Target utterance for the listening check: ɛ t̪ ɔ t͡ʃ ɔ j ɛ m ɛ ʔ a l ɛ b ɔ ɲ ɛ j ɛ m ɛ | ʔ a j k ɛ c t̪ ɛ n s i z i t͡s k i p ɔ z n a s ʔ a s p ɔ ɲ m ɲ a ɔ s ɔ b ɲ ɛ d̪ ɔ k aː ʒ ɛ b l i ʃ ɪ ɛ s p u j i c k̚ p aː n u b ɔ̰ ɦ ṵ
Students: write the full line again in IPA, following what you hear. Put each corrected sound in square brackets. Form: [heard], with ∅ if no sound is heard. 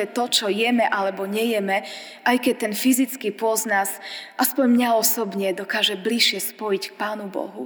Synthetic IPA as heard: ɛ t̪ ɔ t͡ʃ ɔ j ɛ m ɛ ʔ a l ɛ b ɔ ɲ ɛ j ɛ m ɛ | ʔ a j k ɛ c t̪ ɛ n [f] i z i t͡s k i p ɔ z n a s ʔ a s p ɔ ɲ m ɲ a ɔ s ɔ b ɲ ɛ d̪ ɔ k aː ʒ ɛ b l i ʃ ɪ ɛ s p [ɔ] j i c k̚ p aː n u b ɔ̰ ɦ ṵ